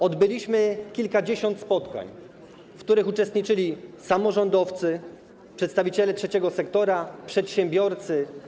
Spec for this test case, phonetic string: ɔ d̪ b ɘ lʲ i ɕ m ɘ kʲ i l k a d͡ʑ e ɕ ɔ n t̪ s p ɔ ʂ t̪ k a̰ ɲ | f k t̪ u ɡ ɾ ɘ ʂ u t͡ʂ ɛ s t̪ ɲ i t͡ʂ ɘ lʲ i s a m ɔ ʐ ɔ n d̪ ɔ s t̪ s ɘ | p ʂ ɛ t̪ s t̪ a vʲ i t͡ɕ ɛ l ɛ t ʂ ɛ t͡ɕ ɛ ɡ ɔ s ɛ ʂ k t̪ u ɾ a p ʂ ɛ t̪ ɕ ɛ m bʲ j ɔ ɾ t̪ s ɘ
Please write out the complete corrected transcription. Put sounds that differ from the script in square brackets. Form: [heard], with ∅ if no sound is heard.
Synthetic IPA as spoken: ɔ d̪ b ɘ lʲ i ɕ m ɘ kʲ i l k a d͡ʑ e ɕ ɔ n t̪ s p ɔ [∅] t̪ k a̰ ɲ | f k t̪ u [∅] ɾ ɘ [x] u t͡ʂ ɛ s t̪ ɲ i t͡ʂ ɘ lʲ i s a m ɔ ʐ ɔ n d̪ ɔ [f] t̪ s ɘ | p ʂ ɛ t̪ s t̪ a vʲ i t͡ɕ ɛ l ɛ t ʂ ɛ t͡ɕ ɛ ɡ ɔ s ɛ [∅] k t̪ [ɔ] ɾ a p ʂ ɛ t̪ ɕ ɛ m bʲ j ɔ ɾ t̪ s ɘ